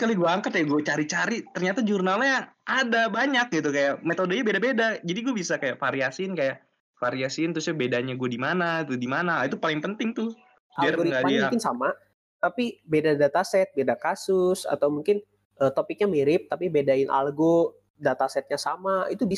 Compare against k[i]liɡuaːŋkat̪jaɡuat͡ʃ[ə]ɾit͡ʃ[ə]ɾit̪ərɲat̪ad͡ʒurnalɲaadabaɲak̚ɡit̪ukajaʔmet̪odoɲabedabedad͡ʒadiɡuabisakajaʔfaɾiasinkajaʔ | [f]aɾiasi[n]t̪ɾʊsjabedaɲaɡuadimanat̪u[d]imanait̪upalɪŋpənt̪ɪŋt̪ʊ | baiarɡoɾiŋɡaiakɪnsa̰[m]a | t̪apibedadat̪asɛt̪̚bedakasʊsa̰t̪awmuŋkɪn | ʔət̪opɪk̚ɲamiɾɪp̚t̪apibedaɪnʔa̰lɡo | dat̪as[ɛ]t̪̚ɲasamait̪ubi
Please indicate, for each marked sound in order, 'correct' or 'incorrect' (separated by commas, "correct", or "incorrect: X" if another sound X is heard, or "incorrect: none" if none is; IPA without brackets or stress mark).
incorrect: a, incorrect: a, incorrect: a, correct, correct, correct, correct, correct